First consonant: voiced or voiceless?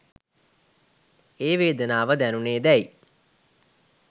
voiced